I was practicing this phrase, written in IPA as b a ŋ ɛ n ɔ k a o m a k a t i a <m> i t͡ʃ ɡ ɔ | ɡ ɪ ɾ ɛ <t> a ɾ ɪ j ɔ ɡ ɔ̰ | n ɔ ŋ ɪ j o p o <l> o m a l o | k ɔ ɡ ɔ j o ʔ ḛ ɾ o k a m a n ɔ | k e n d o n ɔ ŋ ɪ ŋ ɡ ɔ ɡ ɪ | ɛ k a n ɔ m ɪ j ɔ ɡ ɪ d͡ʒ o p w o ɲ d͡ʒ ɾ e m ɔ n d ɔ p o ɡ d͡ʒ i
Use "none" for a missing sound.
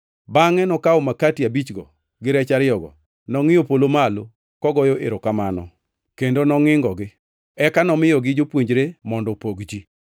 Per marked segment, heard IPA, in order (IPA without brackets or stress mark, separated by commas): b, t͡ʃ, l